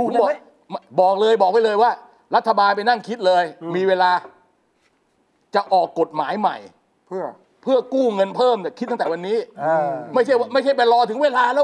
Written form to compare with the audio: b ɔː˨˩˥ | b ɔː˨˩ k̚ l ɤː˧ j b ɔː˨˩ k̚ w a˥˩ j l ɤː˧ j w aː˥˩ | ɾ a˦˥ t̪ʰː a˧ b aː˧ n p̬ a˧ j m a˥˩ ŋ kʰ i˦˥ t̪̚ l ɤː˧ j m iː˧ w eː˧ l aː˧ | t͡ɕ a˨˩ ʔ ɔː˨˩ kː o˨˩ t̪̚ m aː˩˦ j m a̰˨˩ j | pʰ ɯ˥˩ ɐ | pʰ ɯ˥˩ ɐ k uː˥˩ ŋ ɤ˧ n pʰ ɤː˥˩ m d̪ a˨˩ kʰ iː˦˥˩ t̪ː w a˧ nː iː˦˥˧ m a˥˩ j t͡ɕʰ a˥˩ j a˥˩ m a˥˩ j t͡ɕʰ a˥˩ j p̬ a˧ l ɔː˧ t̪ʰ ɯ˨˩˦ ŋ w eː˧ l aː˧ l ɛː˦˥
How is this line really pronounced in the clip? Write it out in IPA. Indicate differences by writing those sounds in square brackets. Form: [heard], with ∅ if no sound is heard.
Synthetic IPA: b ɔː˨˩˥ | b ɔː˨˩ k̚ l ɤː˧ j b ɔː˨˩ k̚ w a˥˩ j l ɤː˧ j w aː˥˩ | ɾ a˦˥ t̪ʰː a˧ b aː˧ n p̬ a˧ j [n] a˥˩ ŋ kʰ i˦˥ t̪̚ l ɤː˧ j m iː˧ w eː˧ l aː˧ | t͡ɕ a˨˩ ʔ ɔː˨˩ kː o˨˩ t̪̚ m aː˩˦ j m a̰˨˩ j | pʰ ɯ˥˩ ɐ | pʰ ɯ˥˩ ɐ k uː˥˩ ŋ ɤ˧ n pʰ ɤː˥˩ m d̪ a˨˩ kʰ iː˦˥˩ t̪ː w a˧ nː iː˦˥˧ m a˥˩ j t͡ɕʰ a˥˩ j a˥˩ m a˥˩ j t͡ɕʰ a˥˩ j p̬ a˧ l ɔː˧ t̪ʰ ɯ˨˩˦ ŋ w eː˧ l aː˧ l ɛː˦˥